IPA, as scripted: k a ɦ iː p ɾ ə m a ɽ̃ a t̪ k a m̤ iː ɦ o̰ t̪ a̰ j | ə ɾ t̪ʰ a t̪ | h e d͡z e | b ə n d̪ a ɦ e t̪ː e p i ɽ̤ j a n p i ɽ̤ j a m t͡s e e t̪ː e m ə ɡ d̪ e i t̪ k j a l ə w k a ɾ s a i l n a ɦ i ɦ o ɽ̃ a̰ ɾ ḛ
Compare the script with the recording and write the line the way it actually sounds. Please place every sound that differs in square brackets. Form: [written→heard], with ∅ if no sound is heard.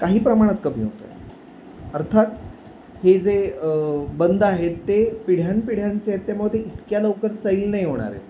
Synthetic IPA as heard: k a ɦ iː p ɾ ə m a ɽ̃ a t̪ k [a→ə] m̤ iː ɦ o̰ t̪ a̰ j | ə ɾ t̪ʰ a t̪ | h e d͡z e | b ə n d̪ a ɦ e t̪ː e p i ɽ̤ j a n p i ɽ̤ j a [m→n] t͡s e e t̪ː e m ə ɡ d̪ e i t̪ k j a l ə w k [a→ə] ɾ s [a→ə] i l n a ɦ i ɦ o ɽ̃ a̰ ɾ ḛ